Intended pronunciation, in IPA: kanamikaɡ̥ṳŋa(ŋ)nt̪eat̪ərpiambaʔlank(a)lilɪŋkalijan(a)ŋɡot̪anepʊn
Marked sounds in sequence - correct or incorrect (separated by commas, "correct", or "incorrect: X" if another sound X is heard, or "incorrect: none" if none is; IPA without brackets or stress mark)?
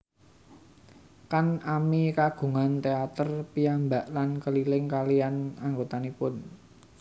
incorrect: none, incorrect: ə, correct